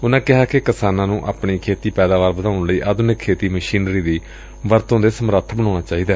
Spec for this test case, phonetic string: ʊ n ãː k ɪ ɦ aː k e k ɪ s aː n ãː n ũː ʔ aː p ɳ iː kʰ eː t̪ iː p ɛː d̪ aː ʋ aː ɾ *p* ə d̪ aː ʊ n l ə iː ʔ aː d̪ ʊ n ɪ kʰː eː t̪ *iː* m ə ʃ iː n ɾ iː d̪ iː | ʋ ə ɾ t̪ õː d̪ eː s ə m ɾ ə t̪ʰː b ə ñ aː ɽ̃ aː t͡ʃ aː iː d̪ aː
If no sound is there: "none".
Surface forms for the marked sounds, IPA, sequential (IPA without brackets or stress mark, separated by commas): b, iː